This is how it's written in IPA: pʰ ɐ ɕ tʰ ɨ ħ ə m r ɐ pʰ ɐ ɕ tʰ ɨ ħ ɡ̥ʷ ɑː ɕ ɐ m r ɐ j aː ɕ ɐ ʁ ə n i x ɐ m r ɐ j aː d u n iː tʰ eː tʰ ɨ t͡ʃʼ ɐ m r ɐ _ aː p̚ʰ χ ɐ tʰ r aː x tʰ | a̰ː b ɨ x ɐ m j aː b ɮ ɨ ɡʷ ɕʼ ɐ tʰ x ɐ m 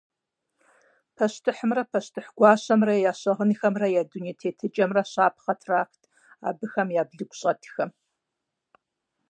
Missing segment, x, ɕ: ɕ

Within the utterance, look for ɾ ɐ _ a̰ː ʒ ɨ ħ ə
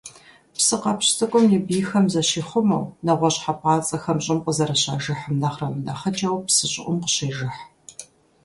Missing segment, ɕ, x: ɕ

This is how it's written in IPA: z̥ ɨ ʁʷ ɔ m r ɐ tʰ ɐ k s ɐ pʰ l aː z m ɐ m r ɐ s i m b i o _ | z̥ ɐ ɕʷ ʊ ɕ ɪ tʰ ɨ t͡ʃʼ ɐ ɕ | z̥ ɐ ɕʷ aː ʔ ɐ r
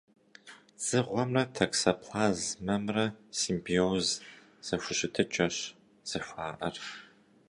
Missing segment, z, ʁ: z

